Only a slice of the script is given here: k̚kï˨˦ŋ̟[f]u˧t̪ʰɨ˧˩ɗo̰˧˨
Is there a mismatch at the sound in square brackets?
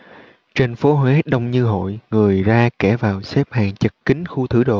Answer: yes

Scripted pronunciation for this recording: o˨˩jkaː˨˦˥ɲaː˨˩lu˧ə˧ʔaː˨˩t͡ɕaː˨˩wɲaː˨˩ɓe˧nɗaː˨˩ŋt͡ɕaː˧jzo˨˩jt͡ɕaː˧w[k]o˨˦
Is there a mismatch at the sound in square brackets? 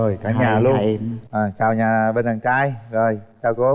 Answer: no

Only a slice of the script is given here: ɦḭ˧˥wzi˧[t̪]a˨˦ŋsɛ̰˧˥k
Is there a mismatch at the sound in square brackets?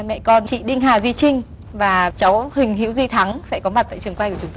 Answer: yes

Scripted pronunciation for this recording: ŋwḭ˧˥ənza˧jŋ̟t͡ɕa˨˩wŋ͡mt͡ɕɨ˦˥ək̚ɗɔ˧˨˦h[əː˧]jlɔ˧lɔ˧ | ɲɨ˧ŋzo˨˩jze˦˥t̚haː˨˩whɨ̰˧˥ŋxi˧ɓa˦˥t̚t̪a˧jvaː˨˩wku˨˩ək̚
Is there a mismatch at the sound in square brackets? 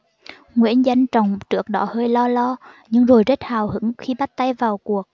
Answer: no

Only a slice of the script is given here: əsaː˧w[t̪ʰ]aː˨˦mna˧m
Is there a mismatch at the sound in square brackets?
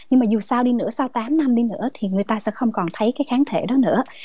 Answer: yes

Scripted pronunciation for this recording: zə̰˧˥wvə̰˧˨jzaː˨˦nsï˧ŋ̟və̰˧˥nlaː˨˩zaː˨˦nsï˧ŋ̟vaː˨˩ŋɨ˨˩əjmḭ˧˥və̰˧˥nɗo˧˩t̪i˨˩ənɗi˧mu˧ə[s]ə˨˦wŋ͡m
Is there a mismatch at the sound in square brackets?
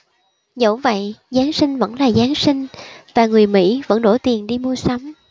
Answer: no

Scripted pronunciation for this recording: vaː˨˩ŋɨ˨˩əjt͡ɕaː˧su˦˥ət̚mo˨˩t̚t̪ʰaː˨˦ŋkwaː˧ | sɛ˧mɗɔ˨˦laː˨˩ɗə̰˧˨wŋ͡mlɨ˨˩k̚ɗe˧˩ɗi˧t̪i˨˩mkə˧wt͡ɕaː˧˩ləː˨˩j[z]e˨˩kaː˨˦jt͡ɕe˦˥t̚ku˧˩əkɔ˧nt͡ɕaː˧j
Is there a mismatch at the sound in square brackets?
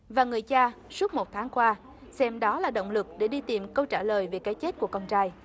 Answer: yes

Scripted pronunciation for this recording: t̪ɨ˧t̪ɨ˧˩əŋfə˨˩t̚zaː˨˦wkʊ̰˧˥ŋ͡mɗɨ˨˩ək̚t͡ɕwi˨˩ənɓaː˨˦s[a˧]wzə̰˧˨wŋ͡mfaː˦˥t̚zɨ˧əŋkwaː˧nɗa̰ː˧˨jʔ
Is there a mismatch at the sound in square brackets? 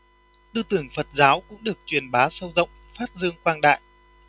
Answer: yes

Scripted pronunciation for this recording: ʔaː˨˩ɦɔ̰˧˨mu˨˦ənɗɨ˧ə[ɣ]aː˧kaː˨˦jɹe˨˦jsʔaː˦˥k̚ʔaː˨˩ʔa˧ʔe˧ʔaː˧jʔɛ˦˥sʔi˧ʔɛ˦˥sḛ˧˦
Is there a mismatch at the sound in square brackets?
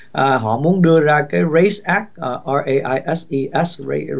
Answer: yes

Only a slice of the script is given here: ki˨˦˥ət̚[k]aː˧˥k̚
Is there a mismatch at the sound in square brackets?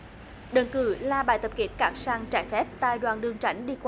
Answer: no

